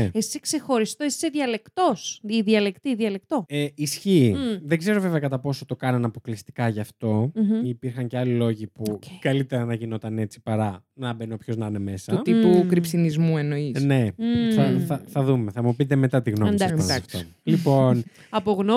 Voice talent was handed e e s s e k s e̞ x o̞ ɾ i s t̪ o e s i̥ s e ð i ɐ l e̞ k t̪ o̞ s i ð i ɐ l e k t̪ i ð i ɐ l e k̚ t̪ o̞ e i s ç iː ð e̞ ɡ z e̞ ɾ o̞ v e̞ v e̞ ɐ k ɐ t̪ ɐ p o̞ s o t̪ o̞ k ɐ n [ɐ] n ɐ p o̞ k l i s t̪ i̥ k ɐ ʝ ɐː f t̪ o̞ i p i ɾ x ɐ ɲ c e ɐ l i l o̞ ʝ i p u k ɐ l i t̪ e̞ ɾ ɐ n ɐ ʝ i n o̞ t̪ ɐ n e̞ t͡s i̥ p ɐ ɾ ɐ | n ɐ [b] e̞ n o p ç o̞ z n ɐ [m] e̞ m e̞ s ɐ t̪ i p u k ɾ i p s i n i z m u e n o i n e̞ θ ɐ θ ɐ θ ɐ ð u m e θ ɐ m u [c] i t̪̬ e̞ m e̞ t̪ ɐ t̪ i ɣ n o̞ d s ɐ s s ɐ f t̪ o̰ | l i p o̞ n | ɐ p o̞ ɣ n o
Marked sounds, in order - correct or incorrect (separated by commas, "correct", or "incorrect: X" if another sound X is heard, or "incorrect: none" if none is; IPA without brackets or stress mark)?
correct, correct, incorrect: n, incorrect: p